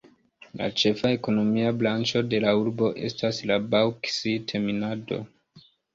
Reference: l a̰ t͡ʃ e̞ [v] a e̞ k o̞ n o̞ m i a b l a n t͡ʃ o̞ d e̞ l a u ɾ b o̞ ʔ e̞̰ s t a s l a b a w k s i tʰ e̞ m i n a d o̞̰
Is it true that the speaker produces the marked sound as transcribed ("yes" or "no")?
no